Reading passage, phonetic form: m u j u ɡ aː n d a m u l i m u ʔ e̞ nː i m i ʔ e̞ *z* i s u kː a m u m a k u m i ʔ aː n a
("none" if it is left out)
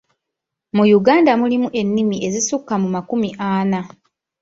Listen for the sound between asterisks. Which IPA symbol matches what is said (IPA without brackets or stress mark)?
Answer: z